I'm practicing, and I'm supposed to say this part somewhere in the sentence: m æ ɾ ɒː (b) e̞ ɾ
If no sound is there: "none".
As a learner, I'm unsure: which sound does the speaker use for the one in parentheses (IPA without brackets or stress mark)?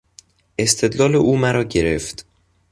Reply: ɟ